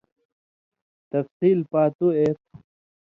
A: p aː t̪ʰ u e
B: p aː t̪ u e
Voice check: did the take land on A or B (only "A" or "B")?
B